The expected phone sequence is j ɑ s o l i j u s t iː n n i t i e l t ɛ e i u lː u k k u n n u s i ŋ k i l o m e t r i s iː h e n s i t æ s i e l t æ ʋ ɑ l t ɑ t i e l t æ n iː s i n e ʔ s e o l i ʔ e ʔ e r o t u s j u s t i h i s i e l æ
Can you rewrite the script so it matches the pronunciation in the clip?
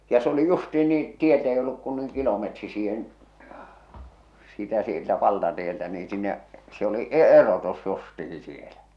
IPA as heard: j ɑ s o l i j u s t iː n n iː t i e l t ɛ e i o lː u k k u n n u i ŋ k i l o m e t r i s iː h e n s i t æ s i e l t æ ʋ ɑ l t ɑ t i e l t æ n iː s i nː e ʔ s e o l i ʔ e ʔ e r o t u s j u s t i h i s i e l æ